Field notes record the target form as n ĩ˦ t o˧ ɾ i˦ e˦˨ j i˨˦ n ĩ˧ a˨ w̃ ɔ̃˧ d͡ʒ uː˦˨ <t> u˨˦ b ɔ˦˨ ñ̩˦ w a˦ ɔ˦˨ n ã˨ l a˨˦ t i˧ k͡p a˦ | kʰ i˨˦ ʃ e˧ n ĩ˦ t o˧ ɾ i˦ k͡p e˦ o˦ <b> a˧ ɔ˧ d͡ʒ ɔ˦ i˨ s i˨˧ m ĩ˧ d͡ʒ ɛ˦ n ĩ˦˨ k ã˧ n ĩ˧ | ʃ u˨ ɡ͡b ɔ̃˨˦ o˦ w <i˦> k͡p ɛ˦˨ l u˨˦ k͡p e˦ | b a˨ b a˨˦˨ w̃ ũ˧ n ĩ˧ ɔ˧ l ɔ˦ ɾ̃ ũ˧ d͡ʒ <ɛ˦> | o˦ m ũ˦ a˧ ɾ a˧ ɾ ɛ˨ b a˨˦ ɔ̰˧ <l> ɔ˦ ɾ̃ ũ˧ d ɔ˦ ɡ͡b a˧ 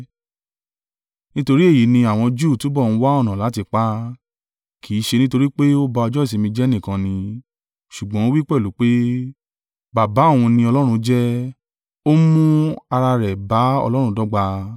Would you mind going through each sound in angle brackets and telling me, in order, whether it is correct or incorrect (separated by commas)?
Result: correct, correct, correct, correct, correct